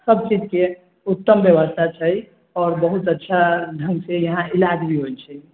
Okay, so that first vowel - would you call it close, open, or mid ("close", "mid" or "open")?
mid